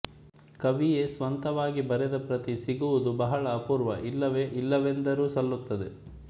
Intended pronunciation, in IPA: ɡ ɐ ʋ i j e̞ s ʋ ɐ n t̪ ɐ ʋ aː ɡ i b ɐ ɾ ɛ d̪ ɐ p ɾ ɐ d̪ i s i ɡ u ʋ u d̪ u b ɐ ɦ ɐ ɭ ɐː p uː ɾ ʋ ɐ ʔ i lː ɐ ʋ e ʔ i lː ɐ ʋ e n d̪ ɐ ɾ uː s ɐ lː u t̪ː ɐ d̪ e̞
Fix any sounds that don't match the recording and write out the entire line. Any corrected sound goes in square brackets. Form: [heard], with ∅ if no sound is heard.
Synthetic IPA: [k] ɐ ʋ i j e̞ s ʋ ɐ n t̪ ɐ ʋ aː ɡ i b ɐ ɾ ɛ d̪ ɐ p ɾ ɐ [t̪] i s i ɡ u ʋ u d̪ u b ɐ ɦ ɐ ɭ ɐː p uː ɾ ʋ ɐ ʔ i lː ɐ ʋ e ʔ i lː ɐ ʋ e n d̪ ɐ ɾ uː s ɐ lː u t̪ː ɐ d̪ e̞